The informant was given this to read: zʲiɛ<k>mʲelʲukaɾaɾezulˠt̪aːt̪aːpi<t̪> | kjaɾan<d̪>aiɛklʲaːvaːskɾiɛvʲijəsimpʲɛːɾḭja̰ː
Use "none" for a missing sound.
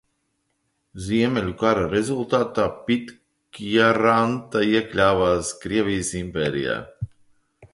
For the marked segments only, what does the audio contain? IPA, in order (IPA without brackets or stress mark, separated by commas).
none, t̪, t̪